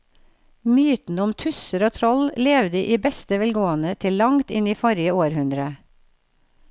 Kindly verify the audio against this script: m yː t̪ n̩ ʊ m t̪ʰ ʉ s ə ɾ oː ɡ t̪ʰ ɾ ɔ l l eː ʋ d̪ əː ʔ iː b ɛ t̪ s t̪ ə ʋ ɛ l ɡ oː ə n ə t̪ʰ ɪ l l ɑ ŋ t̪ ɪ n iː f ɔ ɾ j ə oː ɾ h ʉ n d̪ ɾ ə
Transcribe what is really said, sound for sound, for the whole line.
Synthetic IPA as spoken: m yː t̪ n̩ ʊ m t̪ʰ ʉ s ə ɾ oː t̪ʰ ɾ ɔ l l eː ʋ d̪ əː ʔ iː b ɛ s t̪ ə ʋ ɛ l ɡ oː ə n ə t̪ʰ ɪ l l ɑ ŋ t̪ ɪ n iː f ɔ ɾ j ə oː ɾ h ʉ n d̪ ɾ ə

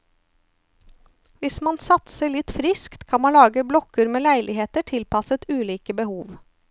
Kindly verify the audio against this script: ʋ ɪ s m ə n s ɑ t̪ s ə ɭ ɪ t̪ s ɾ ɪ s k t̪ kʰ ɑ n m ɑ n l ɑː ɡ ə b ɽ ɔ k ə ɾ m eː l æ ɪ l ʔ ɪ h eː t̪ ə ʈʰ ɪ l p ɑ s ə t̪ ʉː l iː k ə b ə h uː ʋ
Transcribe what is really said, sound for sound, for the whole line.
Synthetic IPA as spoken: ʋ ɪ s m ɑ n s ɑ t̪ s ə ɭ ɪ t̪ f ɾ ɪ s k t̪ kʰ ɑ n m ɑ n l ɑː ɡ ə b l ɔ k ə ɾ m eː l æ ɪ l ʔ ɪ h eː t̪ ə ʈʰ ɪ l p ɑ s ə t̪ ʉː l iː k ə b ə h uː ʋ

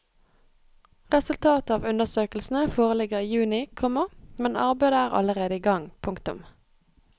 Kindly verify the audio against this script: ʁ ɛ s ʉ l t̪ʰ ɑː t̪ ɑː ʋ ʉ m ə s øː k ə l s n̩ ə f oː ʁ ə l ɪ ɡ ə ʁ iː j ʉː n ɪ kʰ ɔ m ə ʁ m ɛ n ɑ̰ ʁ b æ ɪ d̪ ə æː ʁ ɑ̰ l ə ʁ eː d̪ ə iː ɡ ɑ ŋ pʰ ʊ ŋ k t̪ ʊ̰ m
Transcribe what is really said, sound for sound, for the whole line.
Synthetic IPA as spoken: ʁ ɛ s ʉ l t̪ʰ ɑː t̪ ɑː ʋ ʉ n ə s øː k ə l s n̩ ə f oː ʁ ə l ɪ ɡ ə ʁ iː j ʉː n ɪ kʰ ɔ m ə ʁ m ɛ n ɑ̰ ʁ b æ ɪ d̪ ə æː ʁ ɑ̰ l ə ʁ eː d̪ ə iː ɡ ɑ ŋ pʰ ʊ ŋ k t̪ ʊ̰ m

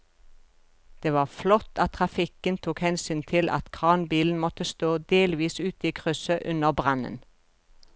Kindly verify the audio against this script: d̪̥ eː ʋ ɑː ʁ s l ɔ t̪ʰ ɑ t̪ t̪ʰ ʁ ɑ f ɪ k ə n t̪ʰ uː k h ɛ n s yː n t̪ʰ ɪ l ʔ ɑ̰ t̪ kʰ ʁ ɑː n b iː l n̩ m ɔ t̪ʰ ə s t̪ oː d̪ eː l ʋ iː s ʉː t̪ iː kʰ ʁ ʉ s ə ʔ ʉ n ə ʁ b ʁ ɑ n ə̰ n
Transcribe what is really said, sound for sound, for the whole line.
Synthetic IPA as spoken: d̪̥ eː ʋ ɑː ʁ f l ɔ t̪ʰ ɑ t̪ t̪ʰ ʁ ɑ f ɪ k ə n t̪ʰ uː k h ɛ n s yː n t̪ʰ ɪ l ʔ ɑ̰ t̪ kʰ ʁ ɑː n b iː l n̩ m ɔ t̪ ə s t̪ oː d̪ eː l ʋ iː s ʉː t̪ iː kʰ ʁ ʉ s ə ʔ ʉ n ə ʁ b ʁ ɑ n ə̰ n

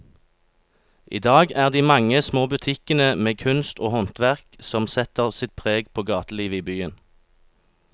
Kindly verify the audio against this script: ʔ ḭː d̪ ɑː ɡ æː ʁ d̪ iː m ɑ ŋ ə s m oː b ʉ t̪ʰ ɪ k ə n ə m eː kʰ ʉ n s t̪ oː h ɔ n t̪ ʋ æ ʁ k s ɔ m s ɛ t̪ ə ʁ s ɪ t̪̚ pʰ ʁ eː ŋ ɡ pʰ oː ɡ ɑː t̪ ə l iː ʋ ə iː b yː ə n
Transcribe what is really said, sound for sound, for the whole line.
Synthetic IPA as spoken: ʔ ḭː d̪ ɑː ɡ æː ʁ d̪ iː m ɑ ŋ ə s m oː b ʉ t̪ʰ ɪ k ə n ə m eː kʰ ʉ n s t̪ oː h ɔ n t̪ ʋ æ ʁ k s ɔ m s ɛ t̪ ə ʁ s ɪ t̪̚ pʰ ʁ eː ɡ pʰ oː ɡ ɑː t̪ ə l iː ʋ ə iː b yː ə n

